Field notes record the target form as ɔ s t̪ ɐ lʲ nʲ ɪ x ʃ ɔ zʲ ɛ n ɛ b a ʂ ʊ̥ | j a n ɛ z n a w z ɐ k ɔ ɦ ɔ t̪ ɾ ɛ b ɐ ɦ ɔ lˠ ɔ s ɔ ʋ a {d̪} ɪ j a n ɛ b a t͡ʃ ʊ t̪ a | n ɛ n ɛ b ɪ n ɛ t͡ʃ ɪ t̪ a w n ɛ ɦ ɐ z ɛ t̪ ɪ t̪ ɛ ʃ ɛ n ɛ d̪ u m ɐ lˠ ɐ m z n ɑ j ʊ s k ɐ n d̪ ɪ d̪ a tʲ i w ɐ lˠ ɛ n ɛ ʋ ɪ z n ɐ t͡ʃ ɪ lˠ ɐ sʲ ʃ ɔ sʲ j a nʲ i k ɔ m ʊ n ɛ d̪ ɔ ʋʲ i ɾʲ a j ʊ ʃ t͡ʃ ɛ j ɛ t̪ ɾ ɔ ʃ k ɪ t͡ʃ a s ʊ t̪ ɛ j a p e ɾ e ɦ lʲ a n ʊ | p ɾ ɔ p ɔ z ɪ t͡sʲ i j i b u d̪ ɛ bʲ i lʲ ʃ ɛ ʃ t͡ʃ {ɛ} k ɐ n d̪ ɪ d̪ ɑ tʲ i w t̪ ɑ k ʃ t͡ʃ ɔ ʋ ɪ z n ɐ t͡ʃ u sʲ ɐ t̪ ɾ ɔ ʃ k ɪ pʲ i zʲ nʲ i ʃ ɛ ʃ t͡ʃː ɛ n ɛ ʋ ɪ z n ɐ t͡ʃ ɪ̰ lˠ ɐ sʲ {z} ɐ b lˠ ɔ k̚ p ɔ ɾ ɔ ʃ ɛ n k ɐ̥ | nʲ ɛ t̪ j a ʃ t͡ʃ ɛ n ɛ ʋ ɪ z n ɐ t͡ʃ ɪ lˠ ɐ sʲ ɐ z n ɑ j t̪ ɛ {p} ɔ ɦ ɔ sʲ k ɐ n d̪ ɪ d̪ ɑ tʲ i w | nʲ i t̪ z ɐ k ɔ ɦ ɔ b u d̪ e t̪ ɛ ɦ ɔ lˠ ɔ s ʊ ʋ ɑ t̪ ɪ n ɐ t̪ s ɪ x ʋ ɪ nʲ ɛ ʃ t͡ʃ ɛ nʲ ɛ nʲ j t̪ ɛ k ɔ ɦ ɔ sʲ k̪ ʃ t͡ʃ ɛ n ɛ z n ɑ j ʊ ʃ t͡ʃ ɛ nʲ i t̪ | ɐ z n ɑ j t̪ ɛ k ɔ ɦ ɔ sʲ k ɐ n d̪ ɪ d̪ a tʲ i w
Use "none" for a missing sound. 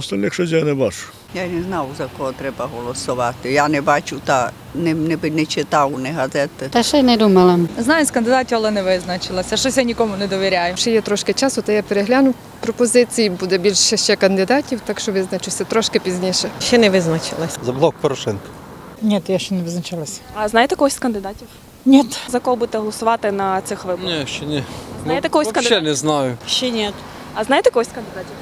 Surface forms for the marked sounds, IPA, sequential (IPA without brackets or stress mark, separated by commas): t̪, ɛ, z, k